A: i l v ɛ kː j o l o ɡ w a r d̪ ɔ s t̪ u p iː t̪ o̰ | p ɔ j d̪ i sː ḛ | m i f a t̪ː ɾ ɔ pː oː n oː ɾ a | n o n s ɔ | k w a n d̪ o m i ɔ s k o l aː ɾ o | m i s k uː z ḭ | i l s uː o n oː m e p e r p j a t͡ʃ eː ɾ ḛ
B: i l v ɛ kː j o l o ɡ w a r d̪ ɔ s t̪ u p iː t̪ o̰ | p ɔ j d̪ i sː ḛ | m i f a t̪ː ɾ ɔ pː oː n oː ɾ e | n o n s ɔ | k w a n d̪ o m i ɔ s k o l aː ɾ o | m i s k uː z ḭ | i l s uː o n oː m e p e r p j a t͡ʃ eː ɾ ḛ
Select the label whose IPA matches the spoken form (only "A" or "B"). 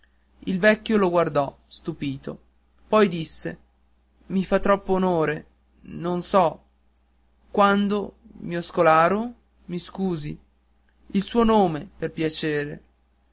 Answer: B